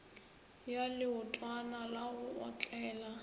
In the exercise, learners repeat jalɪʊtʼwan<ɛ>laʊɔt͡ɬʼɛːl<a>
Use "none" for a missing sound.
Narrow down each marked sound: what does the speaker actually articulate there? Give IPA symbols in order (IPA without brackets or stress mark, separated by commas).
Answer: a, a